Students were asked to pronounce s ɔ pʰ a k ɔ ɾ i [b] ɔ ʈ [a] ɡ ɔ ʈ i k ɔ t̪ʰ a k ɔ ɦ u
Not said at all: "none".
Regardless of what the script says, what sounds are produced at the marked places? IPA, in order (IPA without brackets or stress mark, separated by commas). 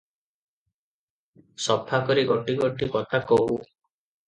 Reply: ɡ, i